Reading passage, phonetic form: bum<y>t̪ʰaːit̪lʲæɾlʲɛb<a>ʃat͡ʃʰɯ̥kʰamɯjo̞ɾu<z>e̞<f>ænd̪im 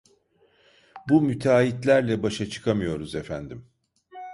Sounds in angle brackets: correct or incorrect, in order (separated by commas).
correct, correct, correct, correct